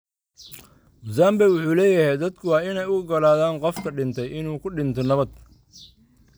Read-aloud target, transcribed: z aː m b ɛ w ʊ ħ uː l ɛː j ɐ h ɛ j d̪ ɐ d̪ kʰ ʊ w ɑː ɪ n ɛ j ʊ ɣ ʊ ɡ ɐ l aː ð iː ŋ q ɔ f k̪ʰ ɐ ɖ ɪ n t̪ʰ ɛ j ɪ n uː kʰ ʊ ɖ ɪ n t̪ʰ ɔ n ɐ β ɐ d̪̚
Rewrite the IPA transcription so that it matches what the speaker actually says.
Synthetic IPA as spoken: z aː m b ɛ w ʊ ħ uː l ɛː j ɐ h ɛ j d̪ ɐ d̪ kʰ ʊ w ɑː ɪ n ɛ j ʊ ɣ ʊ ɡ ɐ l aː ð aː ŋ q ɔ f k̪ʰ ɐ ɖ ɪ n t̪ʰ ɛ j ɪ n uː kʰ ʊ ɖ ɪ n t̪ʰ ɔ n ɐ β ɐ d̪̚

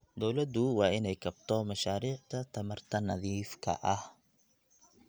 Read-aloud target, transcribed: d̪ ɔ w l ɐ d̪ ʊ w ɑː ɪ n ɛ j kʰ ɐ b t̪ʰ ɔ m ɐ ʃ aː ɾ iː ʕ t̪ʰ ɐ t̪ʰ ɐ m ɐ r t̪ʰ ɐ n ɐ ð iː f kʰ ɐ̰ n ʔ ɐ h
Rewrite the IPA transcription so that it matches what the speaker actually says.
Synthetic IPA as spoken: d̪ ɔ w l ɐ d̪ ʊ w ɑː ɪ n ɛ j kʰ ɐ b t̪ʰ ɔ m ɐ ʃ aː ɾ iː ʕ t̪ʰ ɐ t̪ʰ ɐ m ɐ r t̪ʰ ɐ n ɐ ð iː f kʰ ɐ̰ ʔ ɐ h

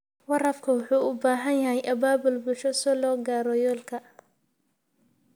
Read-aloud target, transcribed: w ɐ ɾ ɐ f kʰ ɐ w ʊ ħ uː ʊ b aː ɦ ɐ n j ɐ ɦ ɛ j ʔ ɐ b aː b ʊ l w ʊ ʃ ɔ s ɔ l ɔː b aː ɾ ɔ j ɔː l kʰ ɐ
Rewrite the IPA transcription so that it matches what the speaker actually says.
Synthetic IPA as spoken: w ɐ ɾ ɐ f kʰ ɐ w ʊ ħ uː ʊ b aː ɦ ɐ n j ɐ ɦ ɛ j ʔ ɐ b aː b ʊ l b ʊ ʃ ɔ s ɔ l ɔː ɡ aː ɾ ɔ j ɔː l kʰ ɐ

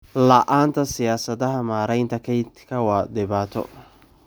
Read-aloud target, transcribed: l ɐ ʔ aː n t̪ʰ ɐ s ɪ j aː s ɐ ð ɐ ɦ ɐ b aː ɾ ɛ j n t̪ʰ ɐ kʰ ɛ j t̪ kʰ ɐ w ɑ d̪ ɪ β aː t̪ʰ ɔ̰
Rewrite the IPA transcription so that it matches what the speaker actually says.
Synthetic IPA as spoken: l ɐ ʔ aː n t̪ʰ ɐ s ɪ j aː s ɐ ð ɐ ɦ ɐ m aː ɾ ɛ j n t̪ʰ ɐ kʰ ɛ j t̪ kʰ ɐ w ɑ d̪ ɪ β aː t̪ʰ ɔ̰

